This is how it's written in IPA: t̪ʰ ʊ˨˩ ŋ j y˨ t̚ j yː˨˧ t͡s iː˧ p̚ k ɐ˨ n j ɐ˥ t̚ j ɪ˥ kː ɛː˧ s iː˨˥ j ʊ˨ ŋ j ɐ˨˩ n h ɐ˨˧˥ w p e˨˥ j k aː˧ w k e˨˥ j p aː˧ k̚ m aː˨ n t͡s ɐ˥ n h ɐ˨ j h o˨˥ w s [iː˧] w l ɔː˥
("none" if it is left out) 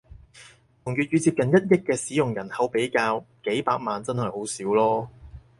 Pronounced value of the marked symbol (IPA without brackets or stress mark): iː˨˥